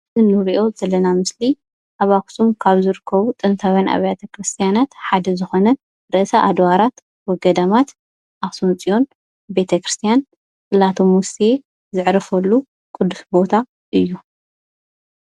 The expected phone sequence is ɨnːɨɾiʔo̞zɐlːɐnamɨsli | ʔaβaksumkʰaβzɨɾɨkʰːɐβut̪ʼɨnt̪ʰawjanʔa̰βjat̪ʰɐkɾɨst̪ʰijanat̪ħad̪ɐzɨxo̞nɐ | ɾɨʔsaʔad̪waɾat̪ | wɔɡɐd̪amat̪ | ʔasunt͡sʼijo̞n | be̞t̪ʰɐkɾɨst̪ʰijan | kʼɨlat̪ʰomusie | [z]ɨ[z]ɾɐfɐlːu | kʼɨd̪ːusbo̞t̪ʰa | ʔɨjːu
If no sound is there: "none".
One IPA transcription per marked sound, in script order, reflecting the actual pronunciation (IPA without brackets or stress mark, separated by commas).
z, ʕ